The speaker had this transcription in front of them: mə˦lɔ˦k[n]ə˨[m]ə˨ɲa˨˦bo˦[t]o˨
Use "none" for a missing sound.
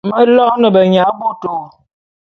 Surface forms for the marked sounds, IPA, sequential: n, b, t

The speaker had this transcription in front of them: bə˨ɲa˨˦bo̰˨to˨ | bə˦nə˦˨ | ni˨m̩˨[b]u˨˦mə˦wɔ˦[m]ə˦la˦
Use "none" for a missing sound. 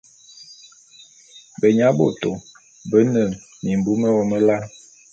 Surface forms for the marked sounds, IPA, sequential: b, m

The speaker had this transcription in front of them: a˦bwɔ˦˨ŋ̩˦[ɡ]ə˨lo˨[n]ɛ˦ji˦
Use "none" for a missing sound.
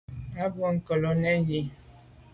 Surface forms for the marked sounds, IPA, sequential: k, n

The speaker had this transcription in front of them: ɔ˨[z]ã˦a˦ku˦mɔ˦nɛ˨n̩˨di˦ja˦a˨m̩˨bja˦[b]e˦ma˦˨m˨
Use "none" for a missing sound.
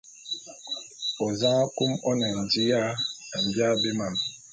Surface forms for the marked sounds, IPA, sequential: z, b

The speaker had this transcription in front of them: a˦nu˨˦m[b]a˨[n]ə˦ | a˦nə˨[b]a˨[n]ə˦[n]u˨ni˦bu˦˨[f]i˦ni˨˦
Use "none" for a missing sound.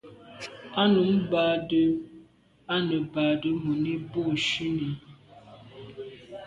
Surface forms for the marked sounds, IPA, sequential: b, d, b, d, m, ʃ

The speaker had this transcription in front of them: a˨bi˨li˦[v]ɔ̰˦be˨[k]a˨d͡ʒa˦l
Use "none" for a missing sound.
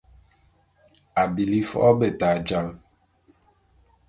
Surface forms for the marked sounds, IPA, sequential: f, t

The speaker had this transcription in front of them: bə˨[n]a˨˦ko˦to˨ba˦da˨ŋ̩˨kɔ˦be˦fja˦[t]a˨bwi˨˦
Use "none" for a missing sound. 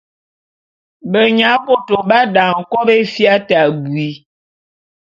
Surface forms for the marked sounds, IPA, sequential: ɲ, t

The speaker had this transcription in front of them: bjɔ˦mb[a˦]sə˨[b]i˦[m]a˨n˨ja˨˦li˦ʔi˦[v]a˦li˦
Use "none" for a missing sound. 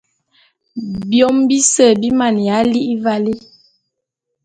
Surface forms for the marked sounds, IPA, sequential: i˦, b, m, v

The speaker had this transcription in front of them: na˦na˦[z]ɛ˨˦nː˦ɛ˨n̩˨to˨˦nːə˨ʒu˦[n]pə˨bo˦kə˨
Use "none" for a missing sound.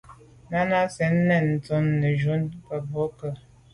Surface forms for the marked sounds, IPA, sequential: s, n

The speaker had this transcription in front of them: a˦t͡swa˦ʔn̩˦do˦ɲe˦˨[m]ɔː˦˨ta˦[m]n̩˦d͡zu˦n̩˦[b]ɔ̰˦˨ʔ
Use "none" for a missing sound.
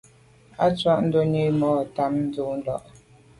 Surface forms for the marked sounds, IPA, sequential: m, m, d

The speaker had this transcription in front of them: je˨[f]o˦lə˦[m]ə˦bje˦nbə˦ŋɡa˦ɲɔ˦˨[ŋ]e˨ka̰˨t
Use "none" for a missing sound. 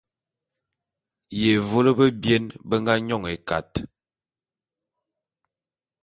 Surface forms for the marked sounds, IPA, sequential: v, b, ŋ

